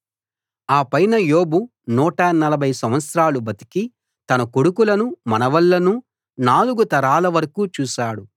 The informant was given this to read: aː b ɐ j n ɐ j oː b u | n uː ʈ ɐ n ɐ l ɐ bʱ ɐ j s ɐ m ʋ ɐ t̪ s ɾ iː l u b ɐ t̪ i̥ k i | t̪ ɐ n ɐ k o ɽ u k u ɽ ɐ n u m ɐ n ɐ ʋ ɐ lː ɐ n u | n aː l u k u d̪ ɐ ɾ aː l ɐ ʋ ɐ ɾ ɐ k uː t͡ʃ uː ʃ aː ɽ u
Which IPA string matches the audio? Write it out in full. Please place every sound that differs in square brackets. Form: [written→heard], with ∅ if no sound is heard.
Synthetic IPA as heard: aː [b→p] ɐ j n ɐ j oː b u | n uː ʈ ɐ n ɐ l ɐ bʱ ɐ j s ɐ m ʋ ɐ t̪ s ɾ [iː→aː] l u b ɐ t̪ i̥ k i | t̪ ɐ n ɐ k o ɽ u k u [ɽ→l] ɐ n u m ɐ n ɐ ʋ ɐ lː ɐ n u | n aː l u [k→ɡ] u [d̪→t̪] ɐ ɾ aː l ɐ ʋ ɐ ɾ ɐ k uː t͡ʃ uː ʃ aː ɽ u